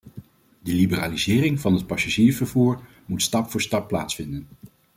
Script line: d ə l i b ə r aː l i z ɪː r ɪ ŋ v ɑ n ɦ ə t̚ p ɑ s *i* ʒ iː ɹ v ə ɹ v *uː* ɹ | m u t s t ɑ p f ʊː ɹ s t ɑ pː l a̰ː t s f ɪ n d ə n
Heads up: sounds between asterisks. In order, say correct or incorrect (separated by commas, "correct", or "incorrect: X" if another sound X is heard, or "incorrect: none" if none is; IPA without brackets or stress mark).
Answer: incorrect: a, correct